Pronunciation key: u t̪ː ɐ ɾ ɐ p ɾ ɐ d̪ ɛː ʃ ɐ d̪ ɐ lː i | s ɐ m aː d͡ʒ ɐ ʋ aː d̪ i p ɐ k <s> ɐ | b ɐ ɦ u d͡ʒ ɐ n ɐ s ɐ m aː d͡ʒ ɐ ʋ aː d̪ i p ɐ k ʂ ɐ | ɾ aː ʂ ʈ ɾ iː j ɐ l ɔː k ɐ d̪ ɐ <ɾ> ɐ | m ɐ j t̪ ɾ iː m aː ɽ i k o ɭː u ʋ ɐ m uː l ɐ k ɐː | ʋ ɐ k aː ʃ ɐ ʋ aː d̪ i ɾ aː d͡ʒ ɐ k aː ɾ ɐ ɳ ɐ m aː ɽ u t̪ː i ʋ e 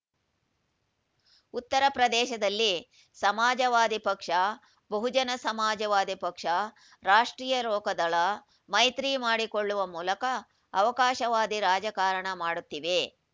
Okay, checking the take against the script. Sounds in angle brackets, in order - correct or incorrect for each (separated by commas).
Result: incorrect, incorrect